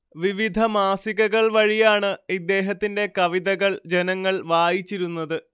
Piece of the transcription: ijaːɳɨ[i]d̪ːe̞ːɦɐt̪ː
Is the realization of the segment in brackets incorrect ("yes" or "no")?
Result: no